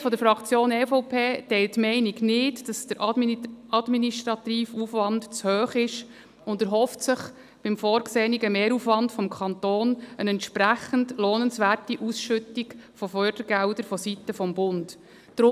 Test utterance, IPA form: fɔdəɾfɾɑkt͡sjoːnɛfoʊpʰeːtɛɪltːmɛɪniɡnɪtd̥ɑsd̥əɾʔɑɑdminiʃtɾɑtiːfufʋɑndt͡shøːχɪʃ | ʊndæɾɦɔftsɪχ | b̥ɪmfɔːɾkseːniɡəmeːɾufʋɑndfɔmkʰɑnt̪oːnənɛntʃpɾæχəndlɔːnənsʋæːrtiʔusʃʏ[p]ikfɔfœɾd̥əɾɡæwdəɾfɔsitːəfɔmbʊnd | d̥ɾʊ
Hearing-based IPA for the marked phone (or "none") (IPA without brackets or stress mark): t